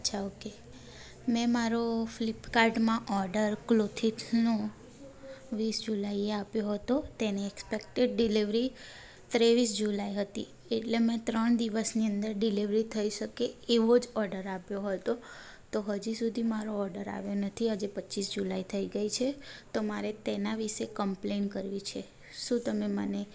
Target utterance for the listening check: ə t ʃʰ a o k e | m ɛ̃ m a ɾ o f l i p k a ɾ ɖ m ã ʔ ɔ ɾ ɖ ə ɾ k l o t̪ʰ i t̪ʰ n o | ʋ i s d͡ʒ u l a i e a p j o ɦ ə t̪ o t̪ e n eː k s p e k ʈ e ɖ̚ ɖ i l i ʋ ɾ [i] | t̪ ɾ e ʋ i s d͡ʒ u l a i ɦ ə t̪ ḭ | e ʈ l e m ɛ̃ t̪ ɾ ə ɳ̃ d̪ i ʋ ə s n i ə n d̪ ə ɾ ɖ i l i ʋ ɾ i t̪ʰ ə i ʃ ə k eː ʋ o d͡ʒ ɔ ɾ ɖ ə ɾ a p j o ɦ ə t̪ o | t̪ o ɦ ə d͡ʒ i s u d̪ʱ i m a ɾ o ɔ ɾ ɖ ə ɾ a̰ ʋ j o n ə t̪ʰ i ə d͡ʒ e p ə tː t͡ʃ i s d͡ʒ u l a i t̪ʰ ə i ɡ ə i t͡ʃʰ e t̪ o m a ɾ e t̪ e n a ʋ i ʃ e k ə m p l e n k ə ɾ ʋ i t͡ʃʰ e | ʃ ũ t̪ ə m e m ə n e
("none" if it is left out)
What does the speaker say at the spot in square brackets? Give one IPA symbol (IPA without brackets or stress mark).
i